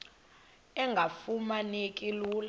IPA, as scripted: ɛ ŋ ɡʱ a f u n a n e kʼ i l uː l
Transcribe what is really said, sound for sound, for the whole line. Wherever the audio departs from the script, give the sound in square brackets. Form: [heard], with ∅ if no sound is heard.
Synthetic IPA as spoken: ɛ ŋ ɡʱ a f u [m] a n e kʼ i l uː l

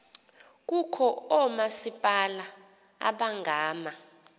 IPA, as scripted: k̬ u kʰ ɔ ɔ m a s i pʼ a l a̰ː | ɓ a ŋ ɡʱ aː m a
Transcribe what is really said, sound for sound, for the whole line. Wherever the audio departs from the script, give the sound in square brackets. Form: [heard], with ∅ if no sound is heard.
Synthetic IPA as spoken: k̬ u kʰ ɔ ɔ m a s i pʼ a l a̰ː | ɓ a ŋ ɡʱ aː m a

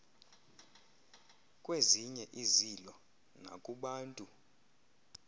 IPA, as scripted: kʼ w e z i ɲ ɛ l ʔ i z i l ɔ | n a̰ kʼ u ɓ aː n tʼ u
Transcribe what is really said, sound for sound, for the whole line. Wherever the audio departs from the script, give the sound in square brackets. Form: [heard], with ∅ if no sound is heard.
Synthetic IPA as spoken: kʼ w e z i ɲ ɛ [∅] ʔ i z i l ɔ | n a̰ kʼ u ɓ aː n tʼ u

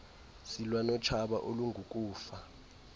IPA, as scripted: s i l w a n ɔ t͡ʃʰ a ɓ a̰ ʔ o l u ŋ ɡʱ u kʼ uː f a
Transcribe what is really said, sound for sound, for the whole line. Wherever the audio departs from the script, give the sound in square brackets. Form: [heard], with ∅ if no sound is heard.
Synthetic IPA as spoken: s i l w a n ɔ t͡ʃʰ a ɓ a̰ ʔ o l u ŋ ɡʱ u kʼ uː f a

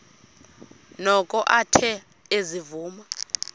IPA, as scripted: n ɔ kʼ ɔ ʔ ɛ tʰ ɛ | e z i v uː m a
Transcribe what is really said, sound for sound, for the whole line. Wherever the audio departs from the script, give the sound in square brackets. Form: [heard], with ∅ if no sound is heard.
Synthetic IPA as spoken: n ɔ kʼ ɔ ʔ [a] tʰ ɛ | e z i v uː m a

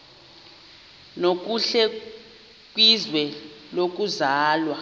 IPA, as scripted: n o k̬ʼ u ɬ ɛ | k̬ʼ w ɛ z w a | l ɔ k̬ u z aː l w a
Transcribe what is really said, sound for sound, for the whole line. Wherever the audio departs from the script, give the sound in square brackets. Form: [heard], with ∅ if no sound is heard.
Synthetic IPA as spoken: n o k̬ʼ u ɬ ɛ | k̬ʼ w [i] z w [ɛ] | l [o] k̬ u z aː l w a

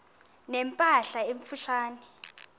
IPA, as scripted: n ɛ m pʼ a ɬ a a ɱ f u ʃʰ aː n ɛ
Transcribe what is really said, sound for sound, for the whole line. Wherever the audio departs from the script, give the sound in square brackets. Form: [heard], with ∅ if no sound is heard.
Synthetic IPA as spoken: n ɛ m pʼ a ɬ a [e] ɱ f u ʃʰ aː n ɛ

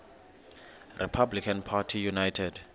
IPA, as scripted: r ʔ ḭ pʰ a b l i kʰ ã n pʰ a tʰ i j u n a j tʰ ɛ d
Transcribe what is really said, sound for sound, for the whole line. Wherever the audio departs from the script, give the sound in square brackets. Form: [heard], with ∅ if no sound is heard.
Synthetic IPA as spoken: r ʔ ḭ pʰ a b l i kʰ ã n pʰ a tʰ i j u n a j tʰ ɛ d

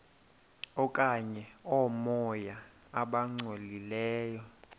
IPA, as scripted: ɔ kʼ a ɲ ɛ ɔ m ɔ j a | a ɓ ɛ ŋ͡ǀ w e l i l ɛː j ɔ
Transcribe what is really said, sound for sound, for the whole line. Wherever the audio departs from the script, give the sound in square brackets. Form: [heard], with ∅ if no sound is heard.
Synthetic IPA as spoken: ɔ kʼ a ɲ ɛ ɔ m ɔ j a | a ɓ [a] ŋ͡ǀ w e l i l ɛː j ɔ

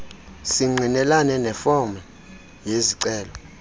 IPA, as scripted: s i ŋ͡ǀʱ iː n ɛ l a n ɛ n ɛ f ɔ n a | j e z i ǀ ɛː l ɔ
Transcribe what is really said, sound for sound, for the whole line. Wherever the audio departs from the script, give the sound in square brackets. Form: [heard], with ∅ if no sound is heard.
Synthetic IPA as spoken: s i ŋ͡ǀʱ [i] n ɛ l a n ɛ n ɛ f ɔ [m] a | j e z i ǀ ɛː l ɔ

